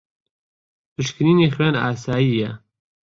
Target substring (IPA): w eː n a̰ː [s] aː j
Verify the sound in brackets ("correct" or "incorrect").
correct